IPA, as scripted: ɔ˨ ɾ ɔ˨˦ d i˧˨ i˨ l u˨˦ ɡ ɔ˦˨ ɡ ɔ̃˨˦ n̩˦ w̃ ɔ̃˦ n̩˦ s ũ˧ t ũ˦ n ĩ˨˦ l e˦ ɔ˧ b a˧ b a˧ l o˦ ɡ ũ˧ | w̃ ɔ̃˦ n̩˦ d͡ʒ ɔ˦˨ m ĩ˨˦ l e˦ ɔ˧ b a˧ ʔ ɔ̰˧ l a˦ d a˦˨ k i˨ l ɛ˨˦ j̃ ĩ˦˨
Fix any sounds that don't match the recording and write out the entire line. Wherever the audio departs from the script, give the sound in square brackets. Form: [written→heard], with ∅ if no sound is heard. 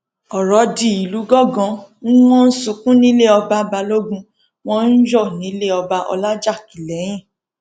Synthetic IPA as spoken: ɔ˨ ɾ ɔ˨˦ d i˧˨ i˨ l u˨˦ ɡ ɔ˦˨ ɡ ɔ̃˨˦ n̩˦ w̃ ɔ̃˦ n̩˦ s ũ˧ [t→k] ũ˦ n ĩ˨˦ l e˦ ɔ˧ b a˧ b a˧ l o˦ ɡ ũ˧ | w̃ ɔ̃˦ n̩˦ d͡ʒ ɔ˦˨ [m→n] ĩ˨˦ l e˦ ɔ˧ b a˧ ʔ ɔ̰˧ l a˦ [d→d͡ʒ] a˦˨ k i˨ l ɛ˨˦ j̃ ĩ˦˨